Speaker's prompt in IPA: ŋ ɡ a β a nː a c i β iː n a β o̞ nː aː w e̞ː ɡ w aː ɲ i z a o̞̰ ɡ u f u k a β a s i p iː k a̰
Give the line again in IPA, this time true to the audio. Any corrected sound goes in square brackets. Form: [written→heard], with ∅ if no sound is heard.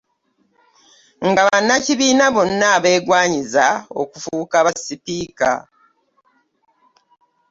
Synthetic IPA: ŋ ɡ a β a nː a c i β iː n a β o̞ nː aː [w→β] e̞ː ɡ w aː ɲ i z a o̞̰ [ɡ→k] u f u k a β a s i p iː k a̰